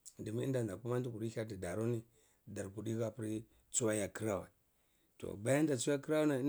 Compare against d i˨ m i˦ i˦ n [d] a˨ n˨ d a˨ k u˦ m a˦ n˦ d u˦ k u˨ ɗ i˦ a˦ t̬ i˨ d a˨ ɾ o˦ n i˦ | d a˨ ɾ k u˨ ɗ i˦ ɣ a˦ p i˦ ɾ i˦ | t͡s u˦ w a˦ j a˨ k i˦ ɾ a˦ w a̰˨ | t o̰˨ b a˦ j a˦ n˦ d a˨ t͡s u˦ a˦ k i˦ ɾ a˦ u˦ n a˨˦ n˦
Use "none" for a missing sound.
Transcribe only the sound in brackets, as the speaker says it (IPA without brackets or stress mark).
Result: d